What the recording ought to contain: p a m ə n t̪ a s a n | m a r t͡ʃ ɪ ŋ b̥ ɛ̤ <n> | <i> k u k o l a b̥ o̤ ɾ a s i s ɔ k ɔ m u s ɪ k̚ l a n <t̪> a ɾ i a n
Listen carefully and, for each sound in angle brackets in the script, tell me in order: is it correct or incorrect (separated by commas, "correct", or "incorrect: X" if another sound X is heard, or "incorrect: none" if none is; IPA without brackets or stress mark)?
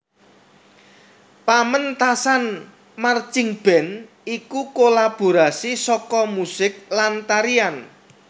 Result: correct, correct, correct